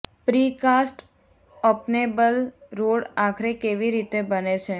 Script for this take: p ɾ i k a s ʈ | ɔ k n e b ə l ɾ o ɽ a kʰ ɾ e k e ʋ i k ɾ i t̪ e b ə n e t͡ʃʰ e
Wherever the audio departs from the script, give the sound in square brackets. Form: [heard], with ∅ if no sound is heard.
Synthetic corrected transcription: p ɾ i k a s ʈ | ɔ [p] n e b ə l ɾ o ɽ a kʰ ɾ e k e ʋ i [∅] ɾ i t̪ e b ə n e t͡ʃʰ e